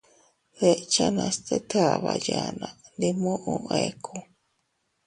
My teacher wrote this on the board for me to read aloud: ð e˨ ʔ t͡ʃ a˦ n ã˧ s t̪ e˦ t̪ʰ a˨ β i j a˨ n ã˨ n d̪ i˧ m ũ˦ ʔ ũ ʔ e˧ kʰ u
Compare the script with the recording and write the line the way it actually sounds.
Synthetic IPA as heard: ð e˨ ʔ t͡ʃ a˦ n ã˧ s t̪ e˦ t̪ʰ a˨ β a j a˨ n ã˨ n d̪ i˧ m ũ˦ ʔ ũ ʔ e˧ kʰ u